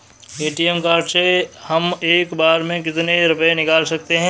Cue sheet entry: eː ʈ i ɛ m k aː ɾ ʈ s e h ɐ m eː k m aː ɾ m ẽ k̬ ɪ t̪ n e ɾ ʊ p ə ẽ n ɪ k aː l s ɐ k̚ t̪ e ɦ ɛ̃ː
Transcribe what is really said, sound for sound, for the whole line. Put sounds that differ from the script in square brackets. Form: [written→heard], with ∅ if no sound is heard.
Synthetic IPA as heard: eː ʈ i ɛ m k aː ɾ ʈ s e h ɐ m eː k [m→b] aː ɾ m ẽ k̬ ɪ t̪ n e ɾ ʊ p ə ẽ n ɪ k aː l s ɐ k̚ t̪ e ɦ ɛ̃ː

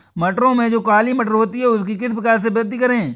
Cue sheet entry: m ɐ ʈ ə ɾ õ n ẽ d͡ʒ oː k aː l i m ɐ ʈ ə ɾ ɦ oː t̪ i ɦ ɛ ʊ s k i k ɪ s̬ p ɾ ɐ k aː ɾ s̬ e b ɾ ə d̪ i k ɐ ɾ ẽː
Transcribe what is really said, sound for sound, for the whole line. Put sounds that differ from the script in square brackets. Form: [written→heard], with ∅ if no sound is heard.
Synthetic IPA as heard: m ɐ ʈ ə ɾ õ [n→m] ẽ d͡ʒ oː k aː l i m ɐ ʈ ə ɾ ɦ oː t̪ i ɦ ɛ ʊ s k i k ɪ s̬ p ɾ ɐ k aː ɾ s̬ e b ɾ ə d̪ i k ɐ ɾ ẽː

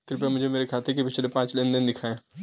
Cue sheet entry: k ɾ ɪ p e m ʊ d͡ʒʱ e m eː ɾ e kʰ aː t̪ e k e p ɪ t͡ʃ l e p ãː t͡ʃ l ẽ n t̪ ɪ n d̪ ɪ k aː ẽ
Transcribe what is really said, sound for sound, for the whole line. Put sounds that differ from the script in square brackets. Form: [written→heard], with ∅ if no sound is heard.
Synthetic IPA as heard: k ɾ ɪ p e m ʊ d͡ʒʱ e m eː ɾ e kʰ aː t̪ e k e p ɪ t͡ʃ l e p ãː t͡ʃ l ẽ n [t̪→d̪] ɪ n d̪ ɪ [k→kʰ] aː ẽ

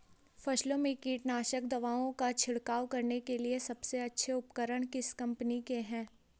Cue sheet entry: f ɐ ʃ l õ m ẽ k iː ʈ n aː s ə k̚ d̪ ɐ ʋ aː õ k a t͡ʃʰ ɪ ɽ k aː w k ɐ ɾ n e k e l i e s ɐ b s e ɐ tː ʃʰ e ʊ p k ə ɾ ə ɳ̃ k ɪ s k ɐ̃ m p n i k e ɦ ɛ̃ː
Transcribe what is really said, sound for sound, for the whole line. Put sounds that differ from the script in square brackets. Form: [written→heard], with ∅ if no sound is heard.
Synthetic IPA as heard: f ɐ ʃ l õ m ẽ k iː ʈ n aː [s→ʃ] ə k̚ d̪ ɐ ʋ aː õ k a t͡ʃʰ ɪ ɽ k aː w k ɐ ɾ n e k e l i e s ɐ b s e ɐ tː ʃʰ e ʊ p k ə ɾ ə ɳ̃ k ɪ s k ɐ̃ m p n i k e ɦ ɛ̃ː

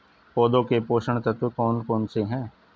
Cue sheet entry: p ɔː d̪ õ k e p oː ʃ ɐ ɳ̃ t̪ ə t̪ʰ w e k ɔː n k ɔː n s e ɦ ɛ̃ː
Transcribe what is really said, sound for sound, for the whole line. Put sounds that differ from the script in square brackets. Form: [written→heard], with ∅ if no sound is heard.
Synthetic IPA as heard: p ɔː d̪ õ k e p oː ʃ [ɐ→ə] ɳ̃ t̪ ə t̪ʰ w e k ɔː n k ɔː n s e ɦ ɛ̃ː

